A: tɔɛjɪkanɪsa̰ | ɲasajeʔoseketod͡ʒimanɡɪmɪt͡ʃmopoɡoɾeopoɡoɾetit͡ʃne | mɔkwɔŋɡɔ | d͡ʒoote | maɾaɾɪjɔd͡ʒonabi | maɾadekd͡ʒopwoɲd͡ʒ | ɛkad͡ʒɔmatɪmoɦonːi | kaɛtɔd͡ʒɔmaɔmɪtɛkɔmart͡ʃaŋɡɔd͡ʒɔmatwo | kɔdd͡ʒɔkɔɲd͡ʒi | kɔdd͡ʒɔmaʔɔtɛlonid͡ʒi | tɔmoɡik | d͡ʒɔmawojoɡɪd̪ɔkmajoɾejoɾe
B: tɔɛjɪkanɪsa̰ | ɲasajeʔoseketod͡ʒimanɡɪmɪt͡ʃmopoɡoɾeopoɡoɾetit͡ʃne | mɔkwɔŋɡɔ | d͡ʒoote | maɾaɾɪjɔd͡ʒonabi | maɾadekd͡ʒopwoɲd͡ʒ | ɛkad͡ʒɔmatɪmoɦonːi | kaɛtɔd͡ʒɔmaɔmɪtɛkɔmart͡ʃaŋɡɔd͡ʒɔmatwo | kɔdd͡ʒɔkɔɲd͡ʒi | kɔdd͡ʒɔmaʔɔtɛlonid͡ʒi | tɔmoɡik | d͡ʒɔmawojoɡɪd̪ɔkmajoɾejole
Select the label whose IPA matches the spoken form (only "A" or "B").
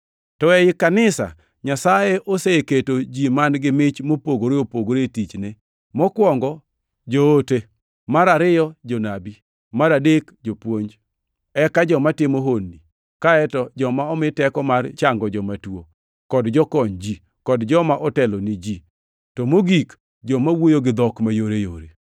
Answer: A